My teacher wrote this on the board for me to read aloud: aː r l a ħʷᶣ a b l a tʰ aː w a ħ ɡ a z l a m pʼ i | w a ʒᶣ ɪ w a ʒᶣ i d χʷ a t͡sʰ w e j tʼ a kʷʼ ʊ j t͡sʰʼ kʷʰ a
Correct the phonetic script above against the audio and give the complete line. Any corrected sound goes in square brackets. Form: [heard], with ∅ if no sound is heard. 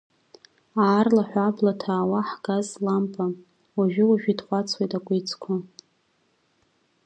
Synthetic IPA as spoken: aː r l a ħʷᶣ a b l a tʰ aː w a ħ ɡ a z l a m pʼ [a] | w a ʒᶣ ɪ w a ʒᶣ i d χʷ a t͡sʰ w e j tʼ a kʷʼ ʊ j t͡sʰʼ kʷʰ a